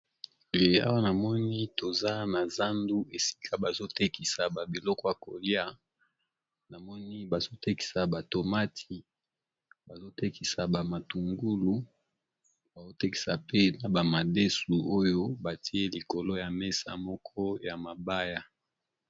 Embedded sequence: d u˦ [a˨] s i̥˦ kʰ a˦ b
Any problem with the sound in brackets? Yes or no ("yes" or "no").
yes